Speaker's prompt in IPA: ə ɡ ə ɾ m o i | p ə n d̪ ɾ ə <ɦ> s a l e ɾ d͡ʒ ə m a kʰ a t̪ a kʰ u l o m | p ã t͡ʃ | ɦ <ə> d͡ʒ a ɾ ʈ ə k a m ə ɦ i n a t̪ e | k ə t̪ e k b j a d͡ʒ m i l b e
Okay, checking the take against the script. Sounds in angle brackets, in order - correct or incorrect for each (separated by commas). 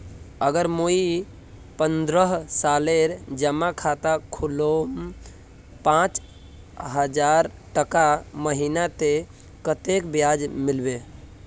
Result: correct, correct